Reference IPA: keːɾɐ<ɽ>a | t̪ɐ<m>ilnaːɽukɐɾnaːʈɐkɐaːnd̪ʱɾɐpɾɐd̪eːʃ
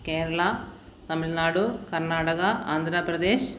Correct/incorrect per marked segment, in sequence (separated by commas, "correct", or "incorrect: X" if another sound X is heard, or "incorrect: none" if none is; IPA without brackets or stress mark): incorrect: ɭ, correct